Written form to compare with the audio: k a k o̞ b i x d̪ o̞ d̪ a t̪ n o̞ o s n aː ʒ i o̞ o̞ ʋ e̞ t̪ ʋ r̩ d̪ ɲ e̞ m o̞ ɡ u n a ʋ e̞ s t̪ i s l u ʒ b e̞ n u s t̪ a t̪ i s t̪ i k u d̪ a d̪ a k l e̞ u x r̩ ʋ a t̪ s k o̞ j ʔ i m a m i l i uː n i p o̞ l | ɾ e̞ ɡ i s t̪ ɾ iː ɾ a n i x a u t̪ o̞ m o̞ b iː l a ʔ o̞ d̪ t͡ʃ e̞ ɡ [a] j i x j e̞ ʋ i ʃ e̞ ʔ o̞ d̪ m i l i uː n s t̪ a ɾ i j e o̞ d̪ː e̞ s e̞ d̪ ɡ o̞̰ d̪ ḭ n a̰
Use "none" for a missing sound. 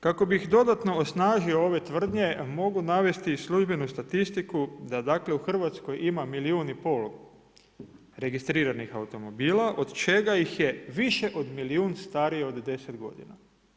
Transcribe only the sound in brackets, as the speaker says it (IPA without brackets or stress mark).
a